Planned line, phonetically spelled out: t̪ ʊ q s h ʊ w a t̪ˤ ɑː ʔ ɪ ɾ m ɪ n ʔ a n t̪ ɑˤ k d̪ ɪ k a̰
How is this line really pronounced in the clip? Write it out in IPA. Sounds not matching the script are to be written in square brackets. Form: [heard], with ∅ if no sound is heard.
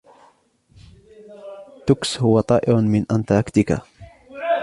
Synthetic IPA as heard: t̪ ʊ [k] s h ʊ w a t̪ˤ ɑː ʔ ɪ ɾ m ɪ n ʔ a n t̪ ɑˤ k [t̪] ɪ k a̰